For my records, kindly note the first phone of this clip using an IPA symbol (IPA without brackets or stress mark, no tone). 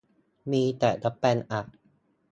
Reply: m